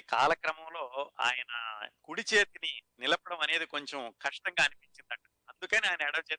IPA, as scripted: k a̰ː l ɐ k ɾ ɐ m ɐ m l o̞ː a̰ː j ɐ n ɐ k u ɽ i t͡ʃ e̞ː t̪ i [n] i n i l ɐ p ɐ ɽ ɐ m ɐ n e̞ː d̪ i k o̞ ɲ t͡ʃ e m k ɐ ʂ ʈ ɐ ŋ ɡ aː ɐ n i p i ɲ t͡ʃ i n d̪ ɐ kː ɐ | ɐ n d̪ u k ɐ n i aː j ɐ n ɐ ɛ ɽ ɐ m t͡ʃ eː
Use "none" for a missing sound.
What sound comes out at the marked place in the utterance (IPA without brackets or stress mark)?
n